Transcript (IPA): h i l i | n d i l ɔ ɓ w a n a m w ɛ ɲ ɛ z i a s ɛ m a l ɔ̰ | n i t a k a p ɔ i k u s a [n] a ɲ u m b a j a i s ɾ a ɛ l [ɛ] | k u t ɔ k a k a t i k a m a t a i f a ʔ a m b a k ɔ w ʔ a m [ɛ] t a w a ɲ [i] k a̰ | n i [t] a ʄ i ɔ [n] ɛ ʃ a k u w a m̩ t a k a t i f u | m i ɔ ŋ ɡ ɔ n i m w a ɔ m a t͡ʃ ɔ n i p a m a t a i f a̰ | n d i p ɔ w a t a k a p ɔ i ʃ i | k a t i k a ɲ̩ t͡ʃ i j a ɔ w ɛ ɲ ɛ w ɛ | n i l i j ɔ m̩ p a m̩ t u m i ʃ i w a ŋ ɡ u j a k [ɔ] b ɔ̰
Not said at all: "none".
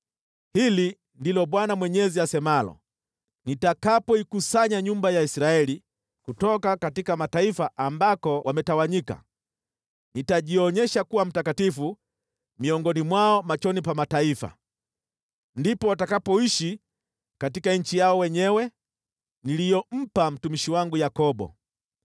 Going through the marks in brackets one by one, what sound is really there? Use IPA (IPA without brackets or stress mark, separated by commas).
ɲ, i, ɛ, i, t, ɲ, ɔ